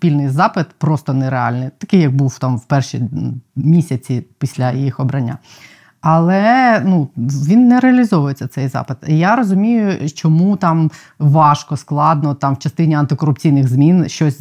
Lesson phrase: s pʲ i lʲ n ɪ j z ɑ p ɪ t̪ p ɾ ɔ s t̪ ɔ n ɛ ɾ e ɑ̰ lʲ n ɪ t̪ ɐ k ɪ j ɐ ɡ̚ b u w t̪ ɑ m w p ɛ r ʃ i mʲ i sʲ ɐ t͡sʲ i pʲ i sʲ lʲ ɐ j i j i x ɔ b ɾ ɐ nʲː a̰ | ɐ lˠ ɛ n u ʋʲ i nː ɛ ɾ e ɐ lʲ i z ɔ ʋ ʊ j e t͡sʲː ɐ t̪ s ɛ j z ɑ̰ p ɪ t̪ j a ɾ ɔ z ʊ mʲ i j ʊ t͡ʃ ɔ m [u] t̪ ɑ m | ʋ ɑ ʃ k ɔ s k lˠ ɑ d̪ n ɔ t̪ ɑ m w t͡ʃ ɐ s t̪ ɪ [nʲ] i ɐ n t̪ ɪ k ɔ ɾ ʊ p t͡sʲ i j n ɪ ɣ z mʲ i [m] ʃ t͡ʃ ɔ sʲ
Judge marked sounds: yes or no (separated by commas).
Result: yes, yes, no